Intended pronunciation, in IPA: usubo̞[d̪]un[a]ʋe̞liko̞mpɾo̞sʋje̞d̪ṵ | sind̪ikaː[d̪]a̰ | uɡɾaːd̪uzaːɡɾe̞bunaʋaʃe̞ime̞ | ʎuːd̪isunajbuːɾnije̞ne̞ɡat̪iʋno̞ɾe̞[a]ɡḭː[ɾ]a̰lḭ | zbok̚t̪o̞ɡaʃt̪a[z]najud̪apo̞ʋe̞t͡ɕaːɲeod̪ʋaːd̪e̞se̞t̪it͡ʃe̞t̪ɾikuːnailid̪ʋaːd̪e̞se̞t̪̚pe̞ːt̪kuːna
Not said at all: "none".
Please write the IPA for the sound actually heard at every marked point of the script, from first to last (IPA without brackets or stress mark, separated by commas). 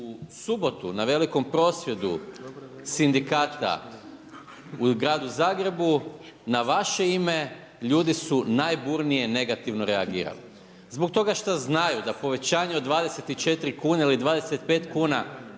t̪, a, t̪, a, ɾ, z